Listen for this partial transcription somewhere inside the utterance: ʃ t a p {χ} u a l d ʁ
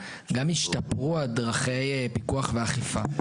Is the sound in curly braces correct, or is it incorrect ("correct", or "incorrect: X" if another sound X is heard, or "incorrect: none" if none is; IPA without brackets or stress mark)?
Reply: incorrect: ʁ